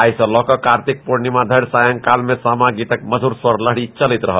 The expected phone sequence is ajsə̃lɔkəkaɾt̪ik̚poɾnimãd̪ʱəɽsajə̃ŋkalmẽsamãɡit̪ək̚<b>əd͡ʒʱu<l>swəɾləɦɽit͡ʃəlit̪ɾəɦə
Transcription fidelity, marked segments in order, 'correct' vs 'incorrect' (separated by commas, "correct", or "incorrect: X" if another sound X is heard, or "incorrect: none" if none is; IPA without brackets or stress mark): incorrect: m, incorrect: ɾ